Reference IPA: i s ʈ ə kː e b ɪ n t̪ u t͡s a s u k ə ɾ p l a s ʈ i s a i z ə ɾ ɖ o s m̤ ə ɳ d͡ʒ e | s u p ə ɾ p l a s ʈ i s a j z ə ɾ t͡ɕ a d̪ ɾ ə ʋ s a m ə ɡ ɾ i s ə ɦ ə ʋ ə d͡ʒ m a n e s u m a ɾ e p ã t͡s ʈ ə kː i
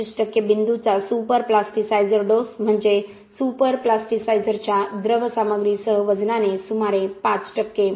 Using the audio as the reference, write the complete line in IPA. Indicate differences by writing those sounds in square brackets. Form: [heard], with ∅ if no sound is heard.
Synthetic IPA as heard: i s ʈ ə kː e b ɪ n [d̪] u t͡s a s u [p] ə ɾ p l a s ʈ i s a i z ə ɾ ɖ o s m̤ ə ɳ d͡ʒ e | s u p ə ɾ p l a s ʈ i s a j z ə ɾ t͡ɕ a d̪ ɾ ə ʋ s a m ə ɡ ɾ i s ə ɦ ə ʋ ə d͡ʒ [n] a n e s u m a ɾ e p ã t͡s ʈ ə kː [e]